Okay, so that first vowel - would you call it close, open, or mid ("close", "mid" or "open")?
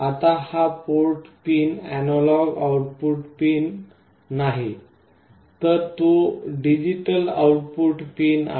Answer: open